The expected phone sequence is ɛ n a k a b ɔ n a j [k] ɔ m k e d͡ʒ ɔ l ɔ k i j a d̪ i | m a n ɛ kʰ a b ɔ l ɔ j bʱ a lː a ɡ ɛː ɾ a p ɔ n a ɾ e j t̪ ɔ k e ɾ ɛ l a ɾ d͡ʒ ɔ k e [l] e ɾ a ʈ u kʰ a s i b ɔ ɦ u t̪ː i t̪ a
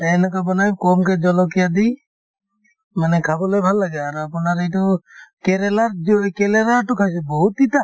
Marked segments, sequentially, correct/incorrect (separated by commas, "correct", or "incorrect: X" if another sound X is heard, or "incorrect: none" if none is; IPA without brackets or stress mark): correct, correct